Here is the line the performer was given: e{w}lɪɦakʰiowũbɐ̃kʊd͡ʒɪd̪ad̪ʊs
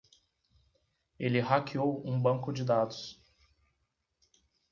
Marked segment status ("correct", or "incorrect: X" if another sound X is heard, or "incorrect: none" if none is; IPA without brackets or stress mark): incorrect: none